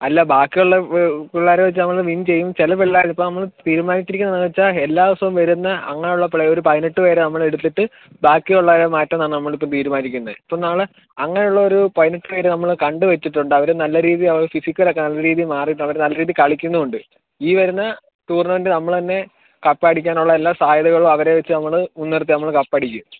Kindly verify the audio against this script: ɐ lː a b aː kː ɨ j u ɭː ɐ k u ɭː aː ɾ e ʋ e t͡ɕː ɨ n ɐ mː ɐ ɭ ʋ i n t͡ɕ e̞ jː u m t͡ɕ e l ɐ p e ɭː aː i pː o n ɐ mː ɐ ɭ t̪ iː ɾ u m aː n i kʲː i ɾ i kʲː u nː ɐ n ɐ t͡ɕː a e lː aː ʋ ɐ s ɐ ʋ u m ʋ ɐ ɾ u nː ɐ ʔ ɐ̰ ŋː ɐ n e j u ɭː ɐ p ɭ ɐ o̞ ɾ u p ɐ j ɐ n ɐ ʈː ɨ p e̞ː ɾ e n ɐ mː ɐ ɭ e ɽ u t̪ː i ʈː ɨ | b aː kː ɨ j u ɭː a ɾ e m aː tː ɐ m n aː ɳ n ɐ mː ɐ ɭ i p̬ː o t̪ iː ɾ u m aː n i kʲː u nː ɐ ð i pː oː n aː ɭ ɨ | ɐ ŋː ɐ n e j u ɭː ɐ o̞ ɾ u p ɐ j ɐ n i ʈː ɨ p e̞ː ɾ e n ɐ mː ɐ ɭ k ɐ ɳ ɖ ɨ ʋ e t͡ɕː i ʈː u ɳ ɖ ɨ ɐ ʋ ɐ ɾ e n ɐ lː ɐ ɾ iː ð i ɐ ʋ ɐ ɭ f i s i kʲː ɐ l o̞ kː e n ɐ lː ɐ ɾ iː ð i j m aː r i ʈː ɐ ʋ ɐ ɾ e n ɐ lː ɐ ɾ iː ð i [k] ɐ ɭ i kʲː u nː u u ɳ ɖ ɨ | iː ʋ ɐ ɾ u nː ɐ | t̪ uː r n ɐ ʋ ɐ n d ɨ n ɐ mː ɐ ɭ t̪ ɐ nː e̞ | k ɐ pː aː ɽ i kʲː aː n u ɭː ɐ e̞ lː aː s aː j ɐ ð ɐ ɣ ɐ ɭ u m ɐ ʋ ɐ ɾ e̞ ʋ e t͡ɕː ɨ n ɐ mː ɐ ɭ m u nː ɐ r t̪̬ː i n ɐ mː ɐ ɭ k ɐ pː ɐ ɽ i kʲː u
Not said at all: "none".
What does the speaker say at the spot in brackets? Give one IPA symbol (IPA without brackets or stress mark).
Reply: k